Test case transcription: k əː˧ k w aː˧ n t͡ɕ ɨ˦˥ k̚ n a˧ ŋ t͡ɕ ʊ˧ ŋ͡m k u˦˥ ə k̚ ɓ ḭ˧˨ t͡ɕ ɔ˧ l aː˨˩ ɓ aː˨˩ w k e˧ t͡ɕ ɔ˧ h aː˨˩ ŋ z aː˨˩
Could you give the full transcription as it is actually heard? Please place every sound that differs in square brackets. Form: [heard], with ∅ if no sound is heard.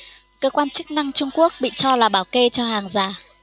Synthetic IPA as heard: k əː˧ k w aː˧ n t͡ɕ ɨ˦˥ k̚ n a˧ ŋ t͡ɕ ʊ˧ ŋ͡m k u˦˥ ə k̚ ɓ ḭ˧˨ t͡ɕ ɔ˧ l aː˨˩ ɓ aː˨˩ w k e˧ t͡ɕ ɔ˧ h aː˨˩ ŋ z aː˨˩